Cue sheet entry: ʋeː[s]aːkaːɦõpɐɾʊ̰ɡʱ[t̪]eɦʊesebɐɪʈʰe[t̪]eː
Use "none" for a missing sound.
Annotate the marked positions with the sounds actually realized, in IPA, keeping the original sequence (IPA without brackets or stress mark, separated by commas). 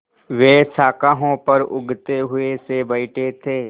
s, t̪, t̪ʰ